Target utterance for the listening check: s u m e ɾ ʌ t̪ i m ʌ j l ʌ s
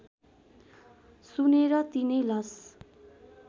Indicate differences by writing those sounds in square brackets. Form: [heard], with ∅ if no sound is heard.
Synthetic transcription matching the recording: s u [n] e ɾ ʌ t̪ i [n] ʌ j l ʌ s